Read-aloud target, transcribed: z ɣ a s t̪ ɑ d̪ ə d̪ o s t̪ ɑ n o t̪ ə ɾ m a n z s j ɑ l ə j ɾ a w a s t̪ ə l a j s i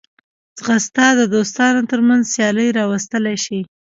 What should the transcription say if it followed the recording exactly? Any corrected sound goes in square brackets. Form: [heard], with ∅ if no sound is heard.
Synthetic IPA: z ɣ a s t̪ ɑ d̪ ə d̪ o s t̪ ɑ n o t̪ ə ɾ m a n z s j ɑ l ə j ɾ [ɑ] w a s t̪ ə l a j [ʃ] i